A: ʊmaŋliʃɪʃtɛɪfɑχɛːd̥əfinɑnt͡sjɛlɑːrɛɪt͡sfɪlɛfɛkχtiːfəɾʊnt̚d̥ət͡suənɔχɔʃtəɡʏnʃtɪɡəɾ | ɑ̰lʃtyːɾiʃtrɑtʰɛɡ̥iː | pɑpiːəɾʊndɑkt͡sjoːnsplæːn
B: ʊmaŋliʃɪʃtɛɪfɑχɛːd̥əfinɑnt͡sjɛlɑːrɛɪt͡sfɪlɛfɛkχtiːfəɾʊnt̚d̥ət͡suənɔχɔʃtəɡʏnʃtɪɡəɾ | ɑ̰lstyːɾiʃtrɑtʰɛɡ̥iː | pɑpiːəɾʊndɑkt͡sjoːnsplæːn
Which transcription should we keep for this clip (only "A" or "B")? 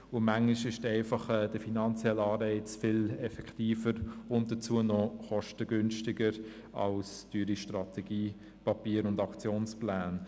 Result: B